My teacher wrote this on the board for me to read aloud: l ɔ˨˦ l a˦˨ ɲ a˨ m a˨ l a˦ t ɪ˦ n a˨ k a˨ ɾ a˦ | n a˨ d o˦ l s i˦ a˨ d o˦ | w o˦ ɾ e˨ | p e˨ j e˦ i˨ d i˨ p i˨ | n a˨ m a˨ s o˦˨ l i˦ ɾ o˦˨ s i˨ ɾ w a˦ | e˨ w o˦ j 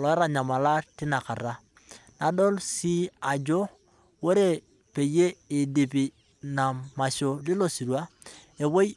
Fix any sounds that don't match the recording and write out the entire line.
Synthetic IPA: l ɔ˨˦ ɾ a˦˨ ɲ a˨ m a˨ l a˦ t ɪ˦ n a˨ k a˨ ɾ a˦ | n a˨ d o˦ l s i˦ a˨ d͡ʒ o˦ | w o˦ ɾ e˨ | p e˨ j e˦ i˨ d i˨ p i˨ | n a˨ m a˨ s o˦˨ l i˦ l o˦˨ s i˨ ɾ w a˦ | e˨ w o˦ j